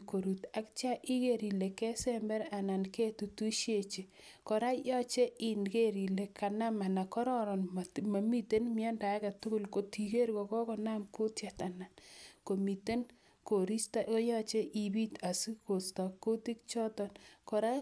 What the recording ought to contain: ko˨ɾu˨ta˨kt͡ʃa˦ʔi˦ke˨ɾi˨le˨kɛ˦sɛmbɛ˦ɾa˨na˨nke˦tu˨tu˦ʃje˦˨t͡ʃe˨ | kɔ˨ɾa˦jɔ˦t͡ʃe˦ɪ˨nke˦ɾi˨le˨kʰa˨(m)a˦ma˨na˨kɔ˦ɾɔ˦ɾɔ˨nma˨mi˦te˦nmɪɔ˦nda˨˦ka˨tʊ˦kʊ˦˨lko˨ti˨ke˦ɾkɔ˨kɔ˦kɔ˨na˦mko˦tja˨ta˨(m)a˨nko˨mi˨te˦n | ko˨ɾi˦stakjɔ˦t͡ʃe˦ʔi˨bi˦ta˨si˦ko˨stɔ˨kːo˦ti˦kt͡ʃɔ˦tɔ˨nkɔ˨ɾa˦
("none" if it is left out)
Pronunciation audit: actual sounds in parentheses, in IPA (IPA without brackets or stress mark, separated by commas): n, n